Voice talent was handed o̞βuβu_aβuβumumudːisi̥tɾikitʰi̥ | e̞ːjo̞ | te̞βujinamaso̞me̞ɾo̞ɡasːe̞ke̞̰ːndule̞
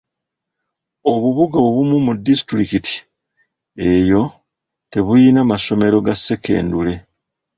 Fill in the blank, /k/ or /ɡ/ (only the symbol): ɡ